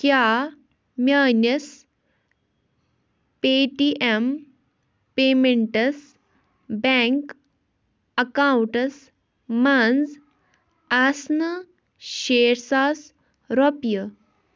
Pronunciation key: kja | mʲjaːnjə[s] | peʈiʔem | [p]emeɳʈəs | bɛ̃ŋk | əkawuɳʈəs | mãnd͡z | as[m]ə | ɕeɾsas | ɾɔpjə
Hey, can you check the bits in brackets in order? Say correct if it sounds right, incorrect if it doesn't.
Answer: correct, correct, incorrect: n

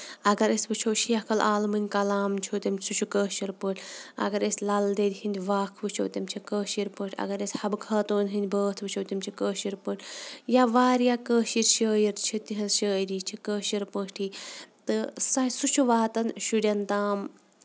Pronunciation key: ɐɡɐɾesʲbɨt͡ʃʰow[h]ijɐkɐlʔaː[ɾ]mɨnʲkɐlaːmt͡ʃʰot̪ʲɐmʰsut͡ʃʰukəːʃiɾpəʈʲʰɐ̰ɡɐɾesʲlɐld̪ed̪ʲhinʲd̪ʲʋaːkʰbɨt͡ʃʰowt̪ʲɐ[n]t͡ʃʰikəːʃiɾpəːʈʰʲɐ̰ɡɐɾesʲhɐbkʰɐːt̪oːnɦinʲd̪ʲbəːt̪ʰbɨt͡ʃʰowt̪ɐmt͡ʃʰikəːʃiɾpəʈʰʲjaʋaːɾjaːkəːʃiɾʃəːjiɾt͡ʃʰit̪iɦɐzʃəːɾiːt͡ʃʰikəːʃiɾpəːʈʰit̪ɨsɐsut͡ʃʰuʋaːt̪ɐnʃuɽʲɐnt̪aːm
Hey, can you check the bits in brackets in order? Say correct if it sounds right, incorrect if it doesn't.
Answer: incorrect: ʃ, incorrect: l, incorrect: m

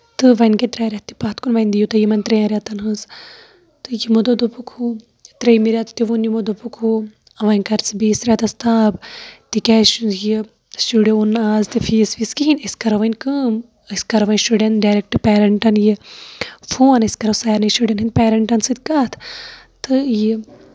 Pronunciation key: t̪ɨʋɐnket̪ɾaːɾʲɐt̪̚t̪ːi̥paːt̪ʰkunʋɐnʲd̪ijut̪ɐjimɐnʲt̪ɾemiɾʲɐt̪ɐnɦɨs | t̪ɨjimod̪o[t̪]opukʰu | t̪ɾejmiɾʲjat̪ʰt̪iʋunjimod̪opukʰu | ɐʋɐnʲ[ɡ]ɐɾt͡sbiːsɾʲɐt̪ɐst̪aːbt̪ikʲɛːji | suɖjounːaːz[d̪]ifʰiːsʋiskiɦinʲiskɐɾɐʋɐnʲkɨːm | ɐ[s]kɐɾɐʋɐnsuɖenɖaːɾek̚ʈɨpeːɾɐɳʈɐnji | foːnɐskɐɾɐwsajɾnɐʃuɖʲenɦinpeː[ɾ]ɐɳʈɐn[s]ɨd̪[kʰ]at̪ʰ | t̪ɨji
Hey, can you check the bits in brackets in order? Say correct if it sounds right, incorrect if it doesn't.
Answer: incorrect: d̪, incorrect: k, incorrect: t̪, correct, correct, correct, incorrect: k

